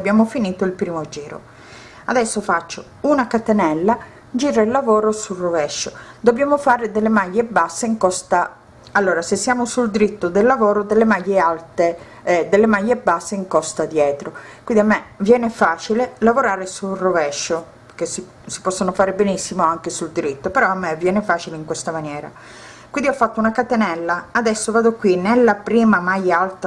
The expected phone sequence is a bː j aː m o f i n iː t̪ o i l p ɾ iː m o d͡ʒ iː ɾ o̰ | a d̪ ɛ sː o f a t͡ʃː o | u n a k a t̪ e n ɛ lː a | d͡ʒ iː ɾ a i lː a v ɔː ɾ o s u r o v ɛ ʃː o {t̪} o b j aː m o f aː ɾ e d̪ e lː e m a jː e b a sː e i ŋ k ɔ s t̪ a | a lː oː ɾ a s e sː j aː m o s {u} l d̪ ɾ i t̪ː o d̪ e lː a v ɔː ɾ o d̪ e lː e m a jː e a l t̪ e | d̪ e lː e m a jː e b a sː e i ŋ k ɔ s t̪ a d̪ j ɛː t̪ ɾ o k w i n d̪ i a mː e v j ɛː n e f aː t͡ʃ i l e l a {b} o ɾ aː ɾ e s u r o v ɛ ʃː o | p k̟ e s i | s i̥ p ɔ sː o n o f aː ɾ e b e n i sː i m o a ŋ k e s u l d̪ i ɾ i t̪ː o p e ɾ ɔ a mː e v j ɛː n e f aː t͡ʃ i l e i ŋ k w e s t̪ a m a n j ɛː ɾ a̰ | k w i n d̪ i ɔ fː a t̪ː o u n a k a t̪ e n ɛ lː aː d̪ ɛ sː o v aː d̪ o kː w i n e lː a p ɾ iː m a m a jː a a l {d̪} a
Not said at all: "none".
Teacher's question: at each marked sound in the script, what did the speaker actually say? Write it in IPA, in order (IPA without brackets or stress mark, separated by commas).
d̪, u, v, t̪